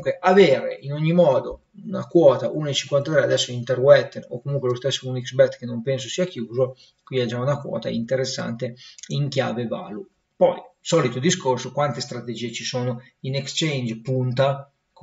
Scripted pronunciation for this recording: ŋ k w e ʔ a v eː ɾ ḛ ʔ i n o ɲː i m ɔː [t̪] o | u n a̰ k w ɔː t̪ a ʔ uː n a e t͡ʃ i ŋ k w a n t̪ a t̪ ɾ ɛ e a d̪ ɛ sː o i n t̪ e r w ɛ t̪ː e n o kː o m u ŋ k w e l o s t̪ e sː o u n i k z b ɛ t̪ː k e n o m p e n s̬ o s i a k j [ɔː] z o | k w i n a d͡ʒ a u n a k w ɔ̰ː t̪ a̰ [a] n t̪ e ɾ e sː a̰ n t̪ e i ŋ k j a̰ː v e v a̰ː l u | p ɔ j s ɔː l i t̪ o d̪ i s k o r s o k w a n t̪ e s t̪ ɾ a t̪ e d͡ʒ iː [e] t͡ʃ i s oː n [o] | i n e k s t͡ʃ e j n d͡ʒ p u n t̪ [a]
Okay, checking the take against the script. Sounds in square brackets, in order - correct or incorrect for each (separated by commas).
incorrect, incorrect, incorrect, correct, correct, correct